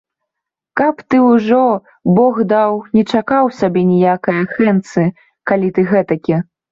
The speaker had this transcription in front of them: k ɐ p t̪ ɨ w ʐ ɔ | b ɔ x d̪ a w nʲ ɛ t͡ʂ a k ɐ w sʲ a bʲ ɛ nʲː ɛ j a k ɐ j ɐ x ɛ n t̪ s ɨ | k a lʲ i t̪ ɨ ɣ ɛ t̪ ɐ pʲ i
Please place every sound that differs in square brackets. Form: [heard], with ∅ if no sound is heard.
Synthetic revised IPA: k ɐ p t̪ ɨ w ʐ ɔ | b ɔ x d̪ a w nʲ ɛ t͡ʂ a k [a] w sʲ a bʲ ɛ [nʲ] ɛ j a k ɐ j ɐ x ɛ n t̪ s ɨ | k a lʲ i t̪ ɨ ɣ ɛ t̪ ɐ [kʲ] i